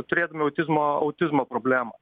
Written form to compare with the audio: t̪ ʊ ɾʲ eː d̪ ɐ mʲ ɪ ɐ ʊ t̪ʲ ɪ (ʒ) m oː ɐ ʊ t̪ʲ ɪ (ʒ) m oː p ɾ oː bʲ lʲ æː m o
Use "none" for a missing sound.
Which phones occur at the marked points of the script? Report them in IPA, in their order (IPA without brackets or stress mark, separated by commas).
z, z